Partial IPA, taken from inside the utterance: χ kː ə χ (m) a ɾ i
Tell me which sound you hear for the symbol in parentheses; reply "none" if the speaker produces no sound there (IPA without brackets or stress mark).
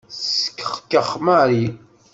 m